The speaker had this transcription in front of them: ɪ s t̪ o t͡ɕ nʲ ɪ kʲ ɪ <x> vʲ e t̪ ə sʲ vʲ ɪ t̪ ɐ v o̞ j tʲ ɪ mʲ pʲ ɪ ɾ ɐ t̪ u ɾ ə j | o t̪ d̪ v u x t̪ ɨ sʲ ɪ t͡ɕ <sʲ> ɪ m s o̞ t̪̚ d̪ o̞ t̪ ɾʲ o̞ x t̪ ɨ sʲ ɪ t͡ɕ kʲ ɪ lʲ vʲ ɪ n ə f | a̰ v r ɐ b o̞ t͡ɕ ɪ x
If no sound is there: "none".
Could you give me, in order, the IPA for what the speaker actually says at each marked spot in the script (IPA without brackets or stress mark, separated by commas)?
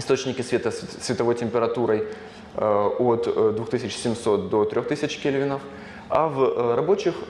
s, sʲ